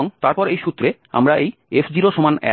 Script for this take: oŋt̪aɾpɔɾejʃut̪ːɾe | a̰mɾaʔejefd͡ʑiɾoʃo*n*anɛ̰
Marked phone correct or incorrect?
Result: incorrect